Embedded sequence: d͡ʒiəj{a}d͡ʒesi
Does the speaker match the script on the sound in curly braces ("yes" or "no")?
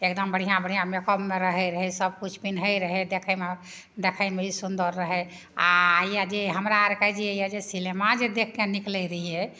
yes